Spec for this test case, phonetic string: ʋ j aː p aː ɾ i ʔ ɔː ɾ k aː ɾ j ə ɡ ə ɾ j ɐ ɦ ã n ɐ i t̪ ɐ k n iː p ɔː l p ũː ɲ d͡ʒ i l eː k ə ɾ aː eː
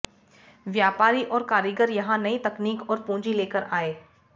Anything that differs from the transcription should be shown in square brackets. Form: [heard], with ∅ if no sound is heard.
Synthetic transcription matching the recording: ʋ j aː p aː ɾ i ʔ ɔː ɾ k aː ɾ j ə ɡ ə ɾ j ɐ ɦ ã n ɐ i t̪ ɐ k n iː [k] ɔː [ɾ] p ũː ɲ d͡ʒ i l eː k ə ɾ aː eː